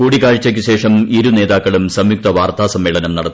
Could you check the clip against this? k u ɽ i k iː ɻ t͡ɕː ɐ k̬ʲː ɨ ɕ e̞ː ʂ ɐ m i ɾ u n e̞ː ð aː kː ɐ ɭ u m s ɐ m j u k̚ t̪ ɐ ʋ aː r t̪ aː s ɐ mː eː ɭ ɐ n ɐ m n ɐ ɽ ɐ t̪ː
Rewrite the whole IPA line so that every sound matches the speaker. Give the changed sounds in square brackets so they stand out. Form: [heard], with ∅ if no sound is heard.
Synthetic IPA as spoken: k [uː] ɽ i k [aː] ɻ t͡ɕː ɐ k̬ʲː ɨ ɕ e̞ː ʂ ɐ m i ɾ u n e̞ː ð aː kː ɐ ɭ u m s ɐ m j u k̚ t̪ ɐ ʋ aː r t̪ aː s ɐ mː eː ɭ ɐ n ɐ m n ɐ ɽ ɐ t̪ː